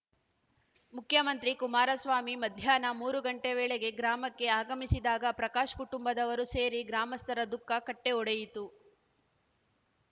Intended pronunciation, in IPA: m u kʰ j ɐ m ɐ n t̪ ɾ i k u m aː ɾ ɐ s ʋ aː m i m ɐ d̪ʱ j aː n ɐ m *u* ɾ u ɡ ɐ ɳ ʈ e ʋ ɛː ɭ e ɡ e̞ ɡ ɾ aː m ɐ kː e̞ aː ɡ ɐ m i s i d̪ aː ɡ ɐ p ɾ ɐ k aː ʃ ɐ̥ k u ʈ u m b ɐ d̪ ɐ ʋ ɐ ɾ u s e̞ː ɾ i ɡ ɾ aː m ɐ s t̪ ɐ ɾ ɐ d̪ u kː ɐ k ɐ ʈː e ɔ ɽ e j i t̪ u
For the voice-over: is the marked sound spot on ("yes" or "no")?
no